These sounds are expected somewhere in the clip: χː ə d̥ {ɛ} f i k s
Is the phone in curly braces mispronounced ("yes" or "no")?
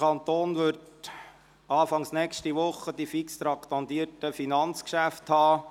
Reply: yes